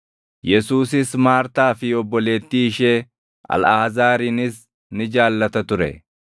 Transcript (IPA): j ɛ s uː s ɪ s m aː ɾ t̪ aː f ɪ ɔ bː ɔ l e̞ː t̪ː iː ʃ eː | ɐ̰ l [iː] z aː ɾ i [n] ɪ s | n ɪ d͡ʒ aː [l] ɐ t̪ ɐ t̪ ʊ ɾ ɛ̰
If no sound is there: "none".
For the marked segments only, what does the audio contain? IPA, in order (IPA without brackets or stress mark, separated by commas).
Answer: aː, n, lː